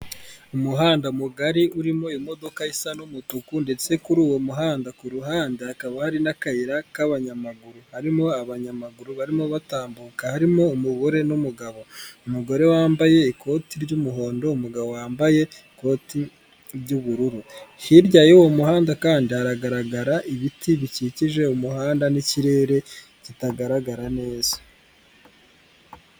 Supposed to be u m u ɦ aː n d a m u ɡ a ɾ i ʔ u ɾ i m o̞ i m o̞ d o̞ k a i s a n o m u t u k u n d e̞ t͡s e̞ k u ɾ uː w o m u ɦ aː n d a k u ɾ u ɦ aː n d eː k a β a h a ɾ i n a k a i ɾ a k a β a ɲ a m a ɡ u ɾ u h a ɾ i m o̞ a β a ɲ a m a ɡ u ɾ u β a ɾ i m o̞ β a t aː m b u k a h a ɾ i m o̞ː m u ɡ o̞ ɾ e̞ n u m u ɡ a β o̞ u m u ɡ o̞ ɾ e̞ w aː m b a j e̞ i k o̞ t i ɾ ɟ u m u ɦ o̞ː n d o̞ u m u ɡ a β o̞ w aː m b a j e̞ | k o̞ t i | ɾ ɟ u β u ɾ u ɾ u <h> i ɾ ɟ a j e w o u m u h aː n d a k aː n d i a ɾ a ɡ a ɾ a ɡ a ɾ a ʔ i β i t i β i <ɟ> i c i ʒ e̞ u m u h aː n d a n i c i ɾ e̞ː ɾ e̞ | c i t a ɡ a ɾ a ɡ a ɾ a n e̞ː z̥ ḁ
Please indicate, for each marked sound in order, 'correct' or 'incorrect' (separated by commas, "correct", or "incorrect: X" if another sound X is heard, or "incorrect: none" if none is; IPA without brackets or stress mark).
correct, incorrect: c